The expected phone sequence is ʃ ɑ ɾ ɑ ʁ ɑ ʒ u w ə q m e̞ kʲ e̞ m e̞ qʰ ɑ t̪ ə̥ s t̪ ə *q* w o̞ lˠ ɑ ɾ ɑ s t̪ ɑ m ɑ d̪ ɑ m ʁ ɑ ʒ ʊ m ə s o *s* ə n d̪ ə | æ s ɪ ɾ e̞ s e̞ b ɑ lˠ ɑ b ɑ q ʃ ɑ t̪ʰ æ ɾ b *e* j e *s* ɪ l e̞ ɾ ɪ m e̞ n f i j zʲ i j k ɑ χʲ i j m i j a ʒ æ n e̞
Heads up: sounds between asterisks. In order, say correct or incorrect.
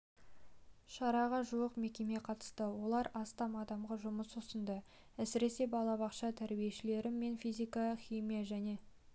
incorrect, correct, incorrect, incorrect

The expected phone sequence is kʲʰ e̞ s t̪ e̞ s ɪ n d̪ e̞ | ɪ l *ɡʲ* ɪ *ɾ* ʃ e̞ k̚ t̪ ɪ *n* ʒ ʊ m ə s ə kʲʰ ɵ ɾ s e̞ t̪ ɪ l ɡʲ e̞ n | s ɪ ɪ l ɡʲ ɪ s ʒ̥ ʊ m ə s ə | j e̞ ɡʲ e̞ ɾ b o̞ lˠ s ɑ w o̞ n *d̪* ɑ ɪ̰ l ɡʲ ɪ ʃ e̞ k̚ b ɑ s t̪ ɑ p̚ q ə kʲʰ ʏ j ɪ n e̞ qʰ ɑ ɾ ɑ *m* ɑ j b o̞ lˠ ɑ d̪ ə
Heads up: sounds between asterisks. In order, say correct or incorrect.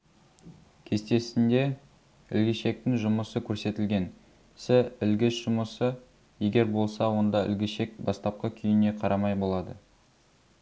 correct, incorrect, incorrect, correct, correct

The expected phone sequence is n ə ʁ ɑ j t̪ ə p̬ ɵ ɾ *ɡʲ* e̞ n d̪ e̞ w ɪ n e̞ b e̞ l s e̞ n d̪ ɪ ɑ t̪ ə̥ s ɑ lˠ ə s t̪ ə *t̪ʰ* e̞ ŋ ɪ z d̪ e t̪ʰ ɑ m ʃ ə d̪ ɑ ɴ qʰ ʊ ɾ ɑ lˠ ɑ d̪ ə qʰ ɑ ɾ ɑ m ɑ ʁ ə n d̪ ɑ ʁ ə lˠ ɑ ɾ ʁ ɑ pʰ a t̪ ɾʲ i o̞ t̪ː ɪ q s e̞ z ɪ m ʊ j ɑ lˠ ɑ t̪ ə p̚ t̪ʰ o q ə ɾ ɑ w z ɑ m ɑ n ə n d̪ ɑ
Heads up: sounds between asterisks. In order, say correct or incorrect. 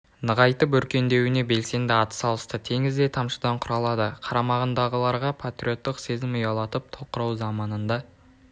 incorrect, correct

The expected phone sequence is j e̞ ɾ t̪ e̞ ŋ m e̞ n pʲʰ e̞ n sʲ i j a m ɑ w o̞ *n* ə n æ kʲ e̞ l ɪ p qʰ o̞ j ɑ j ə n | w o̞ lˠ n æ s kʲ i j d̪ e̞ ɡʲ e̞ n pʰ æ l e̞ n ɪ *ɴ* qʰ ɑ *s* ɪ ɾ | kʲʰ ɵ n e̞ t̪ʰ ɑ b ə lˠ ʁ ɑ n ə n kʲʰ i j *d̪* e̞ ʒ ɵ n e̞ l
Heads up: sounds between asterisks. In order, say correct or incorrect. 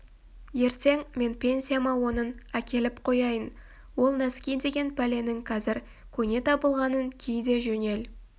correct, incorrect, incorrect, correct

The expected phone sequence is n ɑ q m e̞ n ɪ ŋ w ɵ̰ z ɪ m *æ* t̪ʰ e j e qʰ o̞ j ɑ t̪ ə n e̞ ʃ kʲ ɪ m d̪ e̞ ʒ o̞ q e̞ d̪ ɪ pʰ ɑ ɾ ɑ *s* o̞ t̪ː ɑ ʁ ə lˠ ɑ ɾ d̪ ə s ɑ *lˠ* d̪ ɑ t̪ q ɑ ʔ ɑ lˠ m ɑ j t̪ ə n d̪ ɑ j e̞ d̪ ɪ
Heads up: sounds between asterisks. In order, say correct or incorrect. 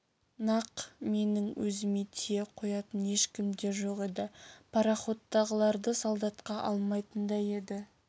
incorrect, incorrect, correct

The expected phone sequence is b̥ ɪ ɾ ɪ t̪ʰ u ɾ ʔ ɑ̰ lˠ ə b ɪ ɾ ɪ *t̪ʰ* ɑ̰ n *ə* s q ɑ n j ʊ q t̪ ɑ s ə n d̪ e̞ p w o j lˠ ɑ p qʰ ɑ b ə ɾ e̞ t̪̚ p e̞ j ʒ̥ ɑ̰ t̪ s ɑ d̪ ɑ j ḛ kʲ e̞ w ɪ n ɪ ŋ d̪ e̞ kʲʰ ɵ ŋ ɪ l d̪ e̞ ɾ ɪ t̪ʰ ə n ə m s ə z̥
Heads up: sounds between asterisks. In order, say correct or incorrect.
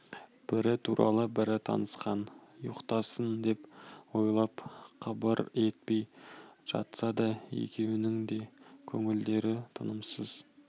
correct, correct

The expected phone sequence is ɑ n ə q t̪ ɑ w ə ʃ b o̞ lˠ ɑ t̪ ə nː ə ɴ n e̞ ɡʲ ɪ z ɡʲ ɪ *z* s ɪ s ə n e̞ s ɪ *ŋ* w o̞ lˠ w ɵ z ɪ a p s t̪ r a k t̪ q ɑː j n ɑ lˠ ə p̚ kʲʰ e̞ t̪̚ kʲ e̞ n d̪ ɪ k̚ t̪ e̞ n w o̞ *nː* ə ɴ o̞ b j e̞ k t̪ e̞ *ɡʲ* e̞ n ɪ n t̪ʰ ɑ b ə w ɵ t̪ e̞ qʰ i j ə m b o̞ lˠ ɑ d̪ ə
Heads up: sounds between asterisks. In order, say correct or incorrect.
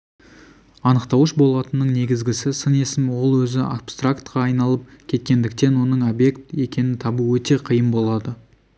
incorrect, incorrect, incorrect, incorrect

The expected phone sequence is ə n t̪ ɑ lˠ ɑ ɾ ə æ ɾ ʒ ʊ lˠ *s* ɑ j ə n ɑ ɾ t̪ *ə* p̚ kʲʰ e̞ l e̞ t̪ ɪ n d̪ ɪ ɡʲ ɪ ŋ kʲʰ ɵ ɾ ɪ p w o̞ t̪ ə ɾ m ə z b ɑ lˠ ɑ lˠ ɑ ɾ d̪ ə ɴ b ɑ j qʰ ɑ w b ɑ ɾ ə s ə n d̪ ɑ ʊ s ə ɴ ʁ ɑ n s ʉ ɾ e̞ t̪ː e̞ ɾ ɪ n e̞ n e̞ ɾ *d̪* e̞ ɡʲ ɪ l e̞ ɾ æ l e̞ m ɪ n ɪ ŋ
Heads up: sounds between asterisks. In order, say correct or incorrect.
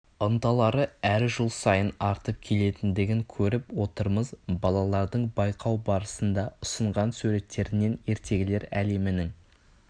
correct, correct, incorrect

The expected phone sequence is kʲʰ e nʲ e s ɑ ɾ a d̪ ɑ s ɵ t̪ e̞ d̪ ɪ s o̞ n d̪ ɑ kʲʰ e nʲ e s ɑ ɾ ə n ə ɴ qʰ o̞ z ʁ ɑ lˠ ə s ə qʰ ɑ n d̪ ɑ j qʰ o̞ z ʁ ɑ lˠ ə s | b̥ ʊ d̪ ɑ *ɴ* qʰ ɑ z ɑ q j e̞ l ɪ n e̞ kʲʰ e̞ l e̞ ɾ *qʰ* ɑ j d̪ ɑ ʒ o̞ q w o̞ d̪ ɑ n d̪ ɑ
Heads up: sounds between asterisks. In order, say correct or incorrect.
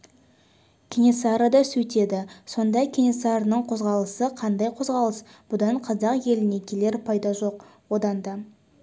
correct, incorrect

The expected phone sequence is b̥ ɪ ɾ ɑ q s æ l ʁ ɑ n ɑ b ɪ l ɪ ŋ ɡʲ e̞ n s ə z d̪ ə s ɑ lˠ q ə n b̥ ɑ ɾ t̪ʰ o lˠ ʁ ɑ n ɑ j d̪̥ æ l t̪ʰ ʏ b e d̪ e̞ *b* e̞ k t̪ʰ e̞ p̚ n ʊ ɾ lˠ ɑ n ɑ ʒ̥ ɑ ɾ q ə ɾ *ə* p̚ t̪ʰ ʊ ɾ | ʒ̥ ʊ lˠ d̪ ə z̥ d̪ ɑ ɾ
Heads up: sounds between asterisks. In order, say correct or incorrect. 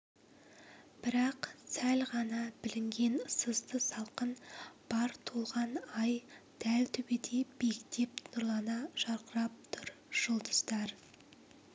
correct, incorrect

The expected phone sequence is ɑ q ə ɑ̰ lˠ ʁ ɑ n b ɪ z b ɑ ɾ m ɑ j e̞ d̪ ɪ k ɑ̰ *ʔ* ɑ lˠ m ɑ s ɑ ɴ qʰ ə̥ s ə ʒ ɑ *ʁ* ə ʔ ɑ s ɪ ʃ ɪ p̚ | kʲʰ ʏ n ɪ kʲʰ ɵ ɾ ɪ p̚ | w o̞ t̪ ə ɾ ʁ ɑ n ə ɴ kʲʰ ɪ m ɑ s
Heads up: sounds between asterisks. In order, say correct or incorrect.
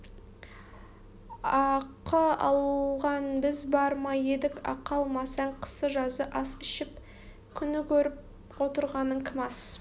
incorrect, incorrect

